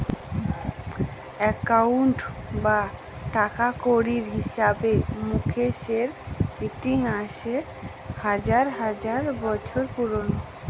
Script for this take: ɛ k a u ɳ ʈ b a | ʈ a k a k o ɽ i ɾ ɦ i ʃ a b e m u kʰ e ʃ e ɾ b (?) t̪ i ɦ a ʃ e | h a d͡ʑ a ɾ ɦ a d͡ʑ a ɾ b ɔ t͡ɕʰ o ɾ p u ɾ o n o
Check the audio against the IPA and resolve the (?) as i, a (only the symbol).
i